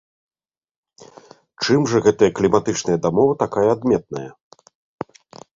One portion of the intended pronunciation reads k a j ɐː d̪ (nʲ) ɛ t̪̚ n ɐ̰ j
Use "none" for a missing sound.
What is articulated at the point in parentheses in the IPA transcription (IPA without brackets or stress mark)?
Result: mʲ